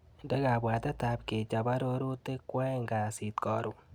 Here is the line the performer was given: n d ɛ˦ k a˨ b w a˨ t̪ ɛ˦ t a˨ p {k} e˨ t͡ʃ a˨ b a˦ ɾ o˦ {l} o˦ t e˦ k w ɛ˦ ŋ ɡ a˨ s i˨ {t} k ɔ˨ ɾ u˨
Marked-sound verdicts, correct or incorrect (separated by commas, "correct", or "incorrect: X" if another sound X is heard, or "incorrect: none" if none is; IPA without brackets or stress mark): correct, incorrect: ɾ, correct